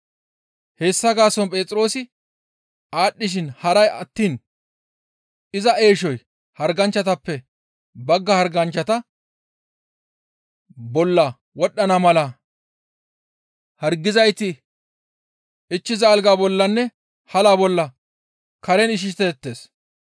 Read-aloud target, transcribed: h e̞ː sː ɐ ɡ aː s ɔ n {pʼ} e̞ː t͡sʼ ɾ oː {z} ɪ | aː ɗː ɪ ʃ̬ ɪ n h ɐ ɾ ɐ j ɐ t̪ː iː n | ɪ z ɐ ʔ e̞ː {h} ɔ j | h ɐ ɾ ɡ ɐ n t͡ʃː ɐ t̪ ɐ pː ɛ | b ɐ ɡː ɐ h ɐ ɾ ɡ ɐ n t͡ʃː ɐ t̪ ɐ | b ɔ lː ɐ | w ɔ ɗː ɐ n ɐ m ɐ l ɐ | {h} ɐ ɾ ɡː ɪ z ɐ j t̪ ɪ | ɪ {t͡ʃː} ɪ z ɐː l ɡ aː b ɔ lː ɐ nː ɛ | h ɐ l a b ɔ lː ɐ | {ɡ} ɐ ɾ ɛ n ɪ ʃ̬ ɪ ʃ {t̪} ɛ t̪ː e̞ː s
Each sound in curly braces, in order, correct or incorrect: correct, incorrect: s, incorrect: ʃ, correct, correct, incorrect: k, correct

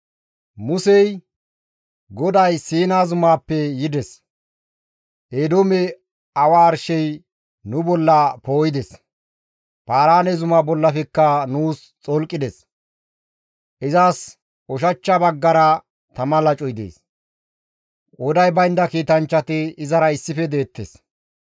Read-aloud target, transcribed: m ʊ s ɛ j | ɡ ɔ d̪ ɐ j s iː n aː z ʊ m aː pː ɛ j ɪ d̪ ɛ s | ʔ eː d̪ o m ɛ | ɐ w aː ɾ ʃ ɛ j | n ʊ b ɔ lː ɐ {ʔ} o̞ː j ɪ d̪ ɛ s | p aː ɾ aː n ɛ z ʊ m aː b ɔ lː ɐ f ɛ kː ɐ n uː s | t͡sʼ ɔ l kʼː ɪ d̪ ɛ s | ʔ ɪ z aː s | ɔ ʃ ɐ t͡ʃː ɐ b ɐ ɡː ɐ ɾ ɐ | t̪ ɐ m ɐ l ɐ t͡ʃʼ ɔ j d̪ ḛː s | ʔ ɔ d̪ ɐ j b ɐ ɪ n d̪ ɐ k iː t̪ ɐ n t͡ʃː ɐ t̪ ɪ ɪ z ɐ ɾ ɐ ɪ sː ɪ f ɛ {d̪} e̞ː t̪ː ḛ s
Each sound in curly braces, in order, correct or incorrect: incorrect: p, correct

